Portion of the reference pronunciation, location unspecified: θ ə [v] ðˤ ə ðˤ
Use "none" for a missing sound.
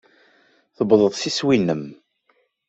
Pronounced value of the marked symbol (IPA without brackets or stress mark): b